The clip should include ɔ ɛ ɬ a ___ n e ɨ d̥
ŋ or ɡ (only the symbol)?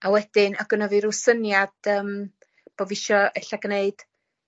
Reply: ɡ